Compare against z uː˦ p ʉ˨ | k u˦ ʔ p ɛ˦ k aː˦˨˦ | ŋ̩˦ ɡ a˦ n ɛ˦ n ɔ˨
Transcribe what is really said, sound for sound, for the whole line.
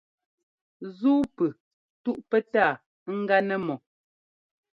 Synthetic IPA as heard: z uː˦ p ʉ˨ | t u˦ ʔ p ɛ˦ t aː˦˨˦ | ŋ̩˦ ɡ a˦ n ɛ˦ m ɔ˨